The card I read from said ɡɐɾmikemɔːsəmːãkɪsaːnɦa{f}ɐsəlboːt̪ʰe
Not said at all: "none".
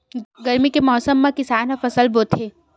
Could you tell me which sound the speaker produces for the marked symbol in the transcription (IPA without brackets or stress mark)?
f